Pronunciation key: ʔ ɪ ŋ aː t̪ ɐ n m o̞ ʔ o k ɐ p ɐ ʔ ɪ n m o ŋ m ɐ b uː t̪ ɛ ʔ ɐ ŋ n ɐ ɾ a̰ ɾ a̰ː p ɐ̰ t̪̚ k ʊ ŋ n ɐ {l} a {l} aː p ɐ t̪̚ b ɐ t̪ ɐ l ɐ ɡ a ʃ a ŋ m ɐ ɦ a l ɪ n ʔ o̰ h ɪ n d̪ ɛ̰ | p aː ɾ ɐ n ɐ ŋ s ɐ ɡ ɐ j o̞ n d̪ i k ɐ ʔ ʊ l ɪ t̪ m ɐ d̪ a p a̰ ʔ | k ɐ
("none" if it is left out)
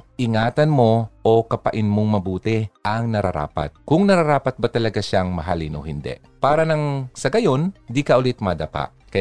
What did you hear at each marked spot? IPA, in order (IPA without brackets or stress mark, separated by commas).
ɾ, ɾ